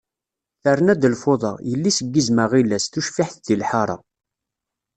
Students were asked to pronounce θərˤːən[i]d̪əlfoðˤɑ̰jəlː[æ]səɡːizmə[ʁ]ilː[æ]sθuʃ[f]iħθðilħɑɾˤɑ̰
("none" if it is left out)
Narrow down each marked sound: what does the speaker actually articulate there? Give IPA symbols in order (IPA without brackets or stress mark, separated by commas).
æ, i, ʁ, æ, f